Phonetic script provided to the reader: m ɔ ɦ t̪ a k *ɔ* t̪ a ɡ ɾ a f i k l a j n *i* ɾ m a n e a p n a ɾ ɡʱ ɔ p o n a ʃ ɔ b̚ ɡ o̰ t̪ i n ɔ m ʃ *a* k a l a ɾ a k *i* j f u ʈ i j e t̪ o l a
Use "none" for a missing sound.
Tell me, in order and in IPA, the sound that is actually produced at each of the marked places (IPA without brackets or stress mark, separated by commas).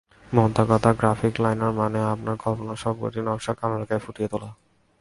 ɔ, a, a, a